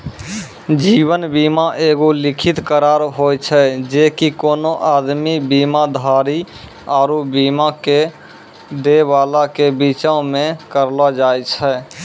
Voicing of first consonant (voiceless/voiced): voiced